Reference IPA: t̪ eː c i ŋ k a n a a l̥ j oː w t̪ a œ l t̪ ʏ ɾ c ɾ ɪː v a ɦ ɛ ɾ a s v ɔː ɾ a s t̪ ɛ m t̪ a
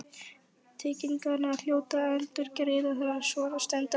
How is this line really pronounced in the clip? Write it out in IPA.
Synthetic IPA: t̪ʰ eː c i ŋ k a n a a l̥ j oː w t̪ a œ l t̪ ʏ ɾ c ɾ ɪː ð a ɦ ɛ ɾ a s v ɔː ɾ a s t̪ ɛ n t̪ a